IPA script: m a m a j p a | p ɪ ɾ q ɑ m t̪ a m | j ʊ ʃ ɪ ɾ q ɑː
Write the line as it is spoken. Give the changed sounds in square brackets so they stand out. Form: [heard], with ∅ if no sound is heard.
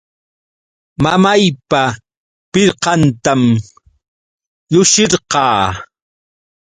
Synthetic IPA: m a m a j p a | p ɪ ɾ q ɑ [n] t̪ a m | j ʊ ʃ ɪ ɾ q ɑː